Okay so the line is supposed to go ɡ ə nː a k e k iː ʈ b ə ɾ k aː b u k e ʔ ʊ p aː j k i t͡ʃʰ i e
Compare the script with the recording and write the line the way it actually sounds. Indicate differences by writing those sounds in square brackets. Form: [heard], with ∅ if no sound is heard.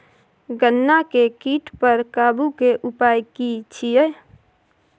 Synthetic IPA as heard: ɡ ə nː a k e k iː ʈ [p] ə ɾ k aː b u k e ʔ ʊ p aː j k i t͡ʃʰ i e